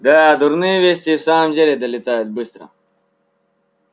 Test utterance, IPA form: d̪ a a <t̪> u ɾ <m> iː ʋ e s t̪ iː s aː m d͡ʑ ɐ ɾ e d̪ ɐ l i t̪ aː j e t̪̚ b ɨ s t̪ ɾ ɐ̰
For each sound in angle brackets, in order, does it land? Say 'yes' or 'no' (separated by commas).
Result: no, no